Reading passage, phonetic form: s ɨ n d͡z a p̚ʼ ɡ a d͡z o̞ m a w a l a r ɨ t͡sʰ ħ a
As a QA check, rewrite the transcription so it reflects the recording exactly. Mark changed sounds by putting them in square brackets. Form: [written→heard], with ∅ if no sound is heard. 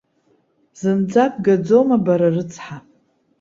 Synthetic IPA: [s→z] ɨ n d͡z a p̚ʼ ɡ a d͡z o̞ m a [w→b] a [l→ɾ] a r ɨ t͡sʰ ħ a